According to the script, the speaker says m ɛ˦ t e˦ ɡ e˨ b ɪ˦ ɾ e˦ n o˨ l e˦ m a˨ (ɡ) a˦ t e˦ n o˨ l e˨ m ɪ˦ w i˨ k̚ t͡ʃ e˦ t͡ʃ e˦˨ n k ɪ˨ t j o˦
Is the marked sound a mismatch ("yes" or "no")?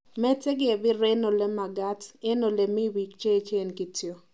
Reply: no